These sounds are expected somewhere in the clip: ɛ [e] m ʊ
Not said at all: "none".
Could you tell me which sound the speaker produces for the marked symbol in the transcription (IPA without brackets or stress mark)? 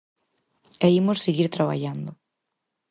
i